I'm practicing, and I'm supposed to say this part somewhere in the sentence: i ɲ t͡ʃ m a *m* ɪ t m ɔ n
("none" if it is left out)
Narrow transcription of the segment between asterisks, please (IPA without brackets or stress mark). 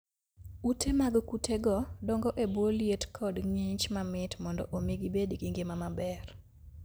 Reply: m